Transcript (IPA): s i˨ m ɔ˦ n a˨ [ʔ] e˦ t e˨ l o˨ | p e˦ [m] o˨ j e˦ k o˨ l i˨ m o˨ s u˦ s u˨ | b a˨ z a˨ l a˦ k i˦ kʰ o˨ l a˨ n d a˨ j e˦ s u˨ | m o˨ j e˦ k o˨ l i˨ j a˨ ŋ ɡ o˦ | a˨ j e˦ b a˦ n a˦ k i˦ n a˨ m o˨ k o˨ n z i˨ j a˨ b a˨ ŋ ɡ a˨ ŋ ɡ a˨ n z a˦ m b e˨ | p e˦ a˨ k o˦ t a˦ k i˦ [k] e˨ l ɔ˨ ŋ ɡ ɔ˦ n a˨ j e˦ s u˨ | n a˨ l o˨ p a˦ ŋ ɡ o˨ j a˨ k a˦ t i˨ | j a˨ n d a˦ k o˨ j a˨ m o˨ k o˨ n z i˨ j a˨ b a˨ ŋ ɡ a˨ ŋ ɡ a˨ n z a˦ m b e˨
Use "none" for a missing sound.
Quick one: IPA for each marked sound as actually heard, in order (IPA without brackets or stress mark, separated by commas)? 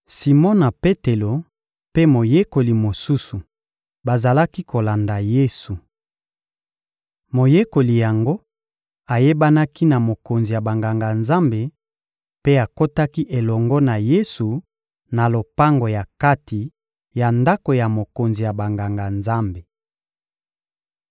p, m, ʔ